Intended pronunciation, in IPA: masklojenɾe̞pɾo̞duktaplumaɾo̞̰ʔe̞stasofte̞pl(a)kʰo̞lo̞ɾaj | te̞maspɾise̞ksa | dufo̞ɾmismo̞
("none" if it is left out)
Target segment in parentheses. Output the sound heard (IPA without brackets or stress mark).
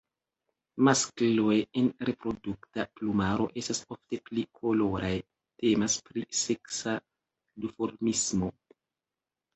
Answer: i